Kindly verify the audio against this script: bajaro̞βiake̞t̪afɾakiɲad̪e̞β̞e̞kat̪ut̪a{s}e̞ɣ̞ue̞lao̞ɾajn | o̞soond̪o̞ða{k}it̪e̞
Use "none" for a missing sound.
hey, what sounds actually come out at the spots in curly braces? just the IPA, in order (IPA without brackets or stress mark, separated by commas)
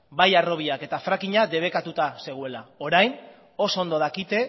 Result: s, k